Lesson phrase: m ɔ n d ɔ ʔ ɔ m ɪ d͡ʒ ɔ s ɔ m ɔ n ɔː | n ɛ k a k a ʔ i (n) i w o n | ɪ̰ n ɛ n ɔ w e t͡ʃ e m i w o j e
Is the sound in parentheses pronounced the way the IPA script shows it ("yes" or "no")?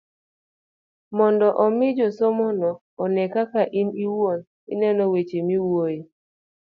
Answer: yes